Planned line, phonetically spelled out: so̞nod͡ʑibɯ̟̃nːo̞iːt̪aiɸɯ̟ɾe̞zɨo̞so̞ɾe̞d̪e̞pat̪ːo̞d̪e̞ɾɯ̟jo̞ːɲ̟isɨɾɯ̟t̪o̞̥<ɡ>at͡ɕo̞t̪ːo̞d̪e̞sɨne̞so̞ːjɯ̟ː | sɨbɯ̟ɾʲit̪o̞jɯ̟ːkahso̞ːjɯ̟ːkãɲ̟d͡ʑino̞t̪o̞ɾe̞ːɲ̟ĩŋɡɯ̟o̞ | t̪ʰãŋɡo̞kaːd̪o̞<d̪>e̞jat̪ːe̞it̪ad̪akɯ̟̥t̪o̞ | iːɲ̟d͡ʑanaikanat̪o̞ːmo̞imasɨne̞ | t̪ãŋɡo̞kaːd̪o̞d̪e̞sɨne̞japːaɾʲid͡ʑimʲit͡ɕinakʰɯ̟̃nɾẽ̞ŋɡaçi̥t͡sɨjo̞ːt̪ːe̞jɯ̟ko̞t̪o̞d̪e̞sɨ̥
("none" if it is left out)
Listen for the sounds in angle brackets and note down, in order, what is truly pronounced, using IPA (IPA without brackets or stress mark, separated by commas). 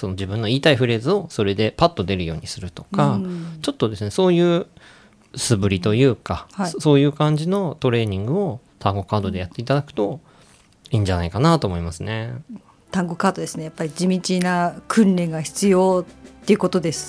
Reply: k, d̪